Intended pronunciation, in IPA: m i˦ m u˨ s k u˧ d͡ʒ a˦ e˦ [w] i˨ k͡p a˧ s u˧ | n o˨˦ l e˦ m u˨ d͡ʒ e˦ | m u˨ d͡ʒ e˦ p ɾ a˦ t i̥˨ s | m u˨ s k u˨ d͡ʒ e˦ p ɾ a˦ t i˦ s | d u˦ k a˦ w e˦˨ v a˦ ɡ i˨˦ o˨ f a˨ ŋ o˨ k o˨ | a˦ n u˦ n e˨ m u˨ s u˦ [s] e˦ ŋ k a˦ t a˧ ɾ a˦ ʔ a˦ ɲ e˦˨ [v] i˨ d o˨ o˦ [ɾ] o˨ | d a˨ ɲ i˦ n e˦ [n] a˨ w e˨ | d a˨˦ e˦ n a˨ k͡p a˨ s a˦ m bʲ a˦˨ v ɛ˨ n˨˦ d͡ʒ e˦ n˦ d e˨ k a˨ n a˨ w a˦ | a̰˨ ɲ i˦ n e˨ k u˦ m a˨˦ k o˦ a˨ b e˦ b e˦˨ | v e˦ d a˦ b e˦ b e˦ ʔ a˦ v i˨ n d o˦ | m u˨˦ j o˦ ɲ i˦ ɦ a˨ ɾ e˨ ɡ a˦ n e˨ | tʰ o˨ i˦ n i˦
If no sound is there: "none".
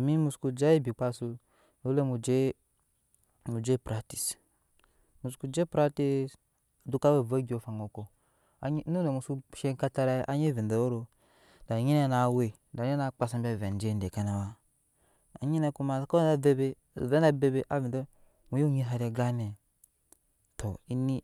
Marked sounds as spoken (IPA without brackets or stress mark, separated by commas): b, ʃ, v, ɾ, n